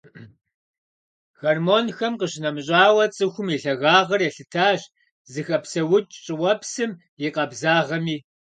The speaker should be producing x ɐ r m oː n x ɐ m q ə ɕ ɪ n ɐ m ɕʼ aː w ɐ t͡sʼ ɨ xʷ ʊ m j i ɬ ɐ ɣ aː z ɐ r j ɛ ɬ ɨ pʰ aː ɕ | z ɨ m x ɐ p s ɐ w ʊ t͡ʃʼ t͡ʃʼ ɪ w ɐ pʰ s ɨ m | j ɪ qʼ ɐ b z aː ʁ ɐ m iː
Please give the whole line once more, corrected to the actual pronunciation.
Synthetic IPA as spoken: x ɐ r m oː n x ɐ m q ə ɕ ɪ n ɐ m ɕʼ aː w ɐ t͡sʼ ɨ xʷ ʊ m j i ɬ ɐ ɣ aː ʁ ɐ r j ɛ ɬ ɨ tʰ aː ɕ | z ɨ x ɐ p s ɐ w ʊ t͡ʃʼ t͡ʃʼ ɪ w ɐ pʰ s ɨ m | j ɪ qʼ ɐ b z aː ʁ ɐ m iː